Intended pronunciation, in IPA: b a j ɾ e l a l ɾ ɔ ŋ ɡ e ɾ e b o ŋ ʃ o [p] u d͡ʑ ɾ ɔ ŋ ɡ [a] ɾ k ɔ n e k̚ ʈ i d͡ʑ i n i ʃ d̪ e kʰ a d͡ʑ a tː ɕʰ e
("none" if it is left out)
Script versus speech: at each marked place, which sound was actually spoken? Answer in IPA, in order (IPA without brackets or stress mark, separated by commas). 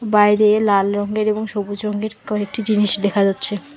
b, e